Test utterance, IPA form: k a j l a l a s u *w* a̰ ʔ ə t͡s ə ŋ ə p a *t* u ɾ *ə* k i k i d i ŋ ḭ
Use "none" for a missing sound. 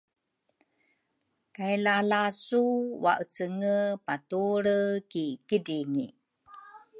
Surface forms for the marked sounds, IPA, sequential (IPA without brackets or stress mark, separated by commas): w, t, ə